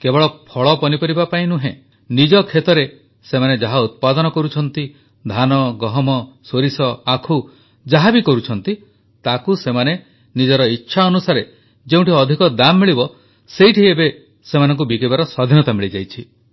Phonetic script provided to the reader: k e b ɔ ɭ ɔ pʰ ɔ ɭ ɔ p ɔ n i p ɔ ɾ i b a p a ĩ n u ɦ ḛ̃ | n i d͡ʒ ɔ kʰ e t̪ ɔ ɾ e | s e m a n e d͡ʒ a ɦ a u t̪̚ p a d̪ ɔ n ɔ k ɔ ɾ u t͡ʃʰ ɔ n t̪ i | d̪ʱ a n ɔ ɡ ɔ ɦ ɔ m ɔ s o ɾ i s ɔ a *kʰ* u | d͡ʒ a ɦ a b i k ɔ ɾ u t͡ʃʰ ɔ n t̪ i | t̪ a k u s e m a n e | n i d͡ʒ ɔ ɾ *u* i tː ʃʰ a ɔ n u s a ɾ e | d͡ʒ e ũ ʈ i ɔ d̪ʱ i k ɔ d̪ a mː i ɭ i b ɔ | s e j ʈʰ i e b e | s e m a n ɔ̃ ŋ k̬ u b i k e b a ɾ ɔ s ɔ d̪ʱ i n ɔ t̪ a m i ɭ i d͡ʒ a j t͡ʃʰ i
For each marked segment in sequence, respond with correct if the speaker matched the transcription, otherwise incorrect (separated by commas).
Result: correct, incorrect